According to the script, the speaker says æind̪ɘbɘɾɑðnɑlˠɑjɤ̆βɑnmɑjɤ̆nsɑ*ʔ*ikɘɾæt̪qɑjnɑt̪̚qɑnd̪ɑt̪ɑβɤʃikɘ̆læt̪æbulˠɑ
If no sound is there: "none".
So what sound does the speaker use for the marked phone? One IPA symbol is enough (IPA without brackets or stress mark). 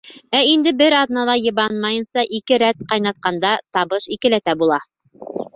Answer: ʔ